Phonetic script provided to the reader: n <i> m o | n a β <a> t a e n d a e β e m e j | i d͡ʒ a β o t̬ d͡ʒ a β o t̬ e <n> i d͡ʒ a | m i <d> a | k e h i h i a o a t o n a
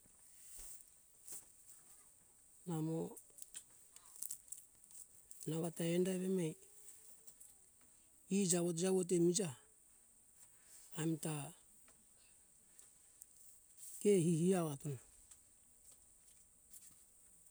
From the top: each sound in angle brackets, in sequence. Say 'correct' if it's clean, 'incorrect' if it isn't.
incorrect: a, correct, incorrect: m, incorrect: t

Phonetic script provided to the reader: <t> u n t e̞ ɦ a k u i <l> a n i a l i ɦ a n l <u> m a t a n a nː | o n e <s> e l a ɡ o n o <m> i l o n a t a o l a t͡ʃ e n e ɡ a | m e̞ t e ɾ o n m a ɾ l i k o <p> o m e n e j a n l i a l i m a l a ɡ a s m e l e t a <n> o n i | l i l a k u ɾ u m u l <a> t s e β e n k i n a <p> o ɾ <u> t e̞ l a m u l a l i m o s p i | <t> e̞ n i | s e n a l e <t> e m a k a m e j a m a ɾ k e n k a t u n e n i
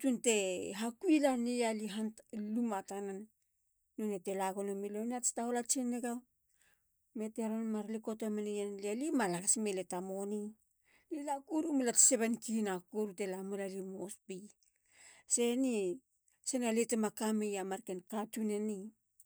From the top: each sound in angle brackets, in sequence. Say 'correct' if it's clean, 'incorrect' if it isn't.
correct, correct, correct, incorrect: t, correct, incorrect: t, incorrect: m, correct, incorrect: k, correct, incorrect: s, correct

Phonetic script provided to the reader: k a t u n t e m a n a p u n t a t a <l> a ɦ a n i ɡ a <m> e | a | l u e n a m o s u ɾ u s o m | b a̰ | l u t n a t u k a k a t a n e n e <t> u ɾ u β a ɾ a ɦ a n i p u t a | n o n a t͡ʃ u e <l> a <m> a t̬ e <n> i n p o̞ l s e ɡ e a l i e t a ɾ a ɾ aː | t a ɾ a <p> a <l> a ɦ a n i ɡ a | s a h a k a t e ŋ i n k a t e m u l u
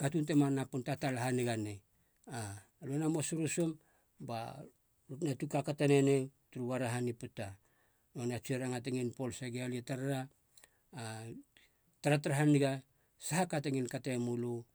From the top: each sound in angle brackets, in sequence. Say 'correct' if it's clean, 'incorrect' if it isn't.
correct, incorrect: n, correct, incorrect: ɾ, incorrect: ŋ, incorrect: ŋ, incorrect: t, incorrect: ɾ

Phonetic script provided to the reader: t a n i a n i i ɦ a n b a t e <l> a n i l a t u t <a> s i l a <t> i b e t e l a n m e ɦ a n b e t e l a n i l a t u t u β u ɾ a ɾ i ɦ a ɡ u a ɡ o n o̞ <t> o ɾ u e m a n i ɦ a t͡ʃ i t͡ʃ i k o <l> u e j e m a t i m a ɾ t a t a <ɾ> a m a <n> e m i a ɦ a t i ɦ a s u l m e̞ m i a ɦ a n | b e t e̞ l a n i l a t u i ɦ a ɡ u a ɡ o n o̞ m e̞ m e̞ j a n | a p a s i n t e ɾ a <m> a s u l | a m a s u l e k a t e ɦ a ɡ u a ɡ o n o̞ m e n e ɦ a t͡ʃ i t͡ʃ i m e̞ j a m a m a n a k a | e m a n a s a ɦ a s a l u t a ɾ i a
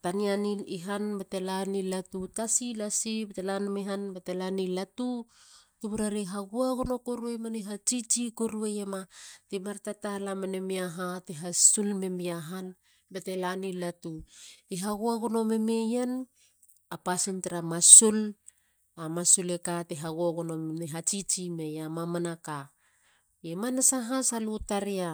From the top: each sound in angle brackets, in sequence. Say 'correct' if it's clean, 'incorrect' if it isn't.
correct, correct, incorrect: s, incorrect: k, incorrect: ɾ, incorrect: l, correct, correct

